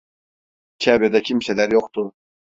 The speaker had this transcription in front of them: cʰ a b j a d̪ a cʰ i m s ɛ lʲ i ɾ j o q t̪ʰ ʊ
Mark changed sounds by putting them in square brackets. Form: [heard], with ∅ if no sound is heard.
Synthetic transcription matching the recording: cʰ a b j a d̪ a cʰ i m s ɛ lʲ [æ] ɾ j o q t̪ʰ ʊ